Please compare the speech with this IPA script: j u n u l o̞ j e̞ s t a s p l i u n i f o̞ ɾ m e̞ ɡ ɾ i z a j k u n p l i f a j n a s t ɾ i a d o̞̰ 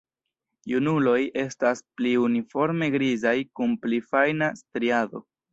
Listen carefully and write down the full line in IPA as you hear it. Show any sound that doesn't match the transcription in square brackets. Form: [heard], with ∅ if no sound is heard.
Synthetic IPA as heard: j u n u l o̞ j e̞ s t a s p l i u n i f o̞ ɾ m e̞ ɡ ɾ i z a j k u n p l i f a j n a s t ɾ i a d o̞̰